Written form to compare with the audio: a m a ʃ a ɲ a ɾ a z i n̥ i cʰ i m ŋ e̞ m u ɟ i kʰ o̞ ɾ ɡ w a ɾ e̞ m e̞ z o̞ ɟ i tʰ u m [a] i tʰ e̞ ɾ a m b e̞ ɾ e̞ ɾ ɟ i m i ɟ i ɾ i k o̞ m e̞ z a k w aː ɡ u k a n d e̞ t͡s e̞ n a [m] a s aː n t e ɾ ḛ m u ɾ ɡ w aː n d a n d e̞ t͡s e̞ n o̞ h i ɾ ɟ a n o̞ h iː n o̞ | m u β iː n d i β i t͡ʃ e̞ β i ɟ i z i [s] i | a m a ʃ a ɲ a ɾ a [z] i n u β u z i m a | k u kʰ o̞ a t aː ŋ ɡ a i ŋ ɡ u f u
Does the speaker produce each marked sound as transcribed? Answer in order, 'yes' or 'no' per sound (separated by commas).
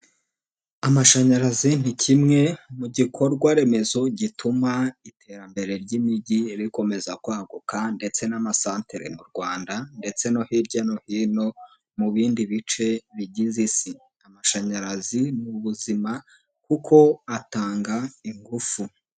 yes, yes, yes, yes